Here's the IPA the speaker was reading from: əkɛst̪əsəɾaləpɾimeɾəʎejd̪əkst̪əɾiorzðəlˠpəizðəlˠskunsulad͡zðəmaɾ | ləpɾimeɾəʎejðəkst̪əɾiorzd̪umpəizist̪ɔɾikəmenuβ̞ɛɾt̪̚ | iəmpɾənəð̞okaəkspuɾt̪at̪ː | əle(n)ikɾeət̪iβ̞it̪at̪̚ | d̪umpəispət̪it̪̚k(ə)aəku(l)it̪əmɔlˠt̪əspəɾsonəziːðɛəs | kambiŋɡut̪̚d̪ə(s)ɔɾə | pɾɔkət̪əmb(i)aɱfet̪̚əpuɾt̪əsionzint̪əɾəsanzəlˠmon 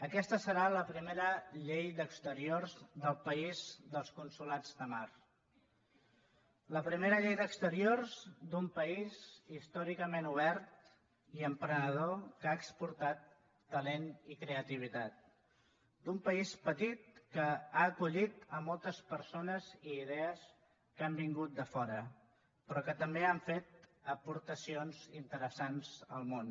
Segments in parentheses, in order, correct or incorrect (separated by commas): correct, correct, incorrect, incorrect, incorrect